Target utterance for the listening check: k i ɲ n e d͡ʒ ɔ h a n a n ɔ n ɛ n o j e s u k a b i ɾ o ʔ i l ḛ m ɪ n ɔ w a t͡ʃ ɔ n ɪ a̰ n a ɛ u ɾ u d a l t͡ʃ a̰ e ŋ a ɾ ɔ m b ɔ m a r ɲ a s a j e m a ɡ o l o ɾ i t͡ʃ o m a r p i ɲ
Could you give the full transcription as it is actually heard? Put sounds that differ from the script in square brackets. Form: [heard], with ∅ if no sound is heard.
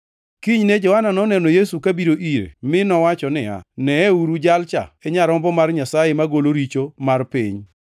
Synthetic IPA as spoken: k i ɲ n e d͡ʒ ɔ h a n a n ɔ n ɛ n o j e s u k a b i ɾ o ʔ i [ɾ] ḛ m ɪ n ɔ w a t͡ʃ ɔ n ɪ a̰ n [ɛ] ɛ u ɾ u [d͡ʒ] a l t͡ʃ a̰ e [ɲ] a ɾ ɔ m b ɔ m a r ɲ a s a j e m a ɡ o l o ɾ i t͡ʃ o m a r p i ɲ